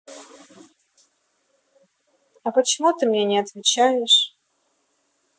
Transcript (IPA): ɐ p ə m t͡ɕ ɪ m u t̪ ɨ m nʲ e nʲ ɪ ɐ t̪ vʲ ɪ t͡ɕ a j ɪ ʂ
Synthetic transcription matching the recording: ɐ p ə t͡ɕ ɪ m u t̪ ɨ m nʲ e nʲ ɪ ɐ t̪ vʲ ɪ t͡ɕ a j ɪ ʂ

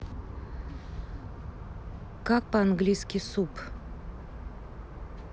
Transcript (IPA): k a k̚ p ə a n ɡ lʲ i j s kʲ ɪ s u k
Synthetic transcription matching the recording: k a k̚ p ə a n ɡ lʲ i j s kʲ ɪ s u p

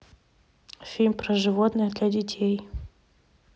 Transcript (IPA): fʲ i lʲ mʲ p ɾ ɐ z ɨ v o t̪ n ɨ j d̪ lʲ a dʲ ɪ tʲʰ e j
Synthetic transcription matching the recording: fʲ i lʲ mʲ p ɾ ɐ ʐ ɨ v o t̪ n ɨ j d̪ lʲ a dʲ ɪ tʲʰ e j

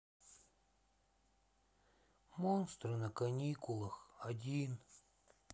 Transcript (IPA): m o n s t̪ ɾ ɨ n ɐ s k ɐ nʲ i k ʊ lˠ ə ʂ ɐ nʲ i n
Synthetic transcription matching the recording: m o n s t̪ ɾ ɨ n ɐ k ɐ nʲ i k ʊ lˠ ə x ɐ dʲ i n

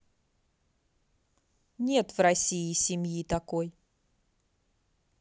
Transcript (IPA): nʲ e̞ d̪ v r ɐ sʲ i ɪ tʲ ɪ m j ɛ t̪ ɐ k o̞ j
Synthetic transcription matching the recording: nʲ e̞ t̪ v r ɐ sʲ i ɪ sʲ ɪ m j i t̪ ɐ k o̞ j

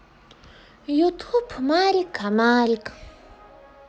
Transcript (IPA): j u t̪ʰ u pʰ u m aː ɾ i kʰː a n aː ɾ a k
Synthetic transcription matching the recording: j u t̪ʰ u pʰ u m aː ɾ i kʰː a m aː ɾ i k

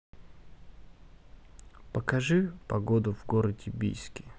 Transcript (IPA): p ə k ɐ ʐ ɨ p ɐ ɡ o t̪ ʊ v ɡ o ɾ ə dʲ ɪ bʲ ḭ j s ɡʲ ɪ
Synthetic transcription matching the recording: p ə k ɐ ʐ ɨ p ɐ ɡ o d̪ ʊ v ɡ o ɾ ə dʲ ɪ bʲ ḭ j s kʲ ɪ

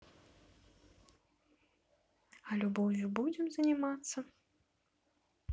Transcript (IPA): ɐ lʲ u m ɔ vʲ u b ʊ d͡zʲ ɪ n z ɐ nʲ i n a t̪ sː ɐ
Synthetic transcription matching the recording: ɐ lʲ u b ɔ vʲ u b u d͡zʲ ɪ m z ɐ nʲ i m a t̪ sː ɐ

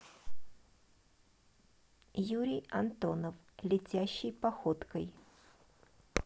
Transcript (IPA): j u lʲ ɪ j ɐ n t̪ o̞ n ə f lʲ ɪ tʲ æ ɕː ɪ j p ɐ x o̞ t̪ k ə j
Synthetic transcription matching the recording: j u ɾʲ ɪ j ɐ n t̪ o̞ n ə f lʲ ɪ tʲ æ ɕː ɪ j p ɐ x o̞ t̪ k ə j

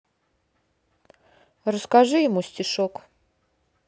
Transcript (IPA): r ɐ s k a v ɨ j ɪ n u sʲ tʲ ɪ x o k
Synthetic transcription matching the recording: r ə s k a ʐ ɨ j ɪ m u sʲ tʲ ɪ ʂ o k

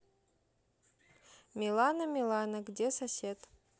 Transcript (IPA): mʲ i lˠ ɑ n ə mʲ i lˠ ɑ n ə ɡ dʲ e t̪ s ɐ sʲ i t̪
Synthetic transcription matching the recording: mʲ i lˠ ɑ n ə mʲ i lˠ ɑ n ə ɡ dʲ e s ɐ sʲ e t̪

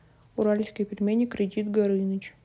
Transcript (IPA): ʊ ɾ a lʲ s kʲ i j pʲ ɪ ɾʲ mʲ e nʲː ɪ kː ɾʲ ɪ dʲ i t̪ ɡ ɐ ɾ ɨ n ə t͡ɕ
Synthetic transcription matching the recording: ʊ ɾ a lʲ s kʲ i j pʲ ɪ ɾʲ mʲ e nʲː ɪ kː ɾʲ ɪ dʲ i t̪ ɡ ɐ ɾ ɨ n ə t͡ɕ

